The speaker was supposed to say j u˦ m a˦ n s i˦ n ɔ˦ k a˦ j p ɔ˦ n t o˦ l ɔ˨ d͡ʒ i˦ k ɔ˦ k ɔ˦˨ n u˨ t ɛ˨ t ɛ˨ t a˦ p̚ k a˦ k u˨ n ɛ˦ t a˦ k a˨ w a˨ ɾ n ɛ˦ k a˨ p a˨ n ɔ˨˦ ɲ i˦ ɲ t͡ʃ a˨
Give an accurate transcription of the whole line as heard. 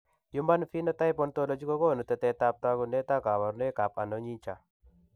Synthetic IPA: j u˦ m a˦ n f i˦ n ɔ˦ t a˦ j p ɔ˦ n t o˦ l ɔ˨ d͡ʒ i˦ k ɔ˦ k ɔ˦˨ n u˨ t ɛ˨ t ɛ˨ t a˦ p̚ t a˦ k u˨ n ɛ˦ t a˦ k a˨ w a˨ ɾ n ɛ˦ k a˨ p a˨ n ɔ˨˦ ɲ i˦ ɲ t͡ʃ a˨